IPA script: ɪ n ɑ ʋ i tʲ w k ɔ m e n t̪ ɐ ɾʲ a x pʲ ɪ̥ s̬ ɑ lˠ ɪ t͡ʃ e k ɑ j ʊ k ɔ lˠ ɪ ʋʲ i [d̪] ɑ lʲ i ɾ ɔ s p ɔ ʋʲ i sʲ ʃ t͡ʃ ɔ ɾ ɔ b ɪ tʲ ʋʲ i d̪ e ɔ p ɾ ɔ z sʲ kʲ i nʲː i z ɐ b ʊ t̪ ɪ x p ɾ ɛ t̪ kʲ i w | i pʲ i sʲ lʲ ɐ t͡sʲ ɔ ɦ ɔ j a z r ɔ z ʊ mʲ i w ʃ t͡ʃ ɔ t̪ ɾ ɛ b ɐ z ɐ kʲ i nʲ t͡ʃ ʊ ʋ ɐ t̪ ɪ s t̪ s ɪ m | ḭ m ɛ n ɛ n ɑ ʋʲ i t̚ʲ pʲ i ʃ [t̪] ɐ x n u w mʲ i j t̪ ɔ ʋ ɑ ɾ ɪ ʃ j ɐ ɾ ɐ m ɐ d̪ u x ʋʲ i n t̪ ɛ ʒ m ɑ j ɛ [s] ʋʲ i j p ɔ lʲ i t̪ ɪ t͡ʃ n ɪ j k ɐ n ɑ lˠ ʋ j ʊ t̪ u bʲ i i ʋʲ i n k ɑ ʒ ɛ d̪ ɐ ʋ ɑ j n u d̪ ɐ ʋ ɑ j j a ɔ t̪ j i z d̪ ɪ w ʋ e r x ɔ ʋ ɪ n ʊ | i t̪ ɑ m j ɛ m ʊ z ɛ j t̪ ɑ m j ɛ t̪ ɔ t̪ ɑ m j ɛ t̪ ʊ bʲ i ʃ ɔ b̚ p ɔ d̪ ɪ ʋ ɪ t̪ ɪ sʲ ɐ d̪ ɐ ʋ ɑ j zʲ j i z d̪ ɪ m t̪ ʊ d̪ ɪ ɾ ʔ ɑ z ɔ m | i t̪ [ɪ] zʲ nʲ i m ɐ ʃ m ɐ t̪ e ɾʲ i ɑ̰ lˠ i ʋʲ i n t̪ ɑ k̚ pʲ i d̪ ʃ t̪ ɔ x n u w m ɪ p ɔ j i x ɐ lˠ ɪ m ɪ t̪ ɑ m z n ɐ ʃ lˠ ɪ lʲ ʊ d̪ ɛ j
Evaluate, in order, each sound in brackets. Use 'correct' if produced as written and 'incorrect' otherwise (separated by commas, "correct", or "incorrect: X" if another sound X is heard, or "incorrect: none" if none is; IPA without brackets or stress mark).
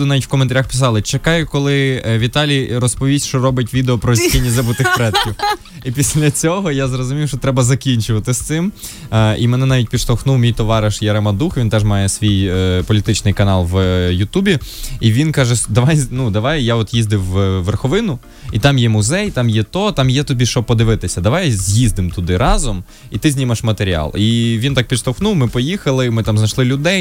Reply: incorrect: t̪, correct, correct, correct